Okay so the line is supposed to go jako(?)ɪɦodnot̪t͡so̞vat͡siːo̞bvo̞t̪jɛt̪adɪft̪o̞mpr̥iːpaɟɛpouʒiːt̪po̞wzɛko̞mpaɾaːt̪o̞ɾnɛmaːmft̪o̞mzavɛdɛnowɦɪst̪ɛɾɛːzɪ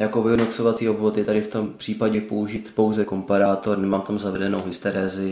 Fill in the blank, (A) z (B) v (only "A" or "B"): B